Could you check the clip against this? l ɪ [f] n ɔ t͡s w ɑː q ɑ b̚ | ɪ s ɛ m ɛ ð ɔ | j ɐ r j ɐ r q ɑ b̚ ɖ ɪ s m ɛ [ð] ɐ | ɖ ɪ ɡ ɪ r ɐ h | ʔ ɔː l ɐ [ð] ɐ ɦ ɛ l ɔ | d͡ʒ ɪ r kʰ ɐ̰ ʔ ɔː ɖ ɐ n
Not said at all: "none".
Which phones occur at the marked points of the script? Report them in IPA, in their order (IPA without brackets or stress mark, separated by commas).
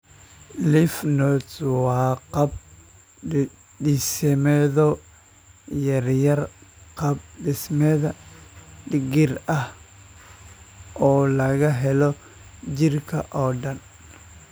f, ð, ɣ